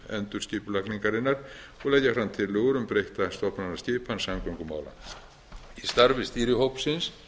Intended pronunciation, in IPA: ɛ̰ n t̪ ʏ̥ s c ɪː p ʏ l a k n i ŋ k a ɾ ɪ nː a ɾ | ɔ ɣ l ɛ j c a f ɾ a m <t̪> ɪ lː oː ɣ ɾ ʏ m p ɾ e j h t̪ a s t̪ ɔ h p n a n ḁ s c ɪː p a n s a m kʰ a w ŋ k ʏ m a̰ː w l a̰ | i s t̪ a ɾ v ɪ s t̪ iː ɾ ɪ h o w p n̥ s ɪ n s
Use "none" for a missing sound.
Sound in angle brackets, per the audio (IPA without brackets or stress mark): t̪ʰ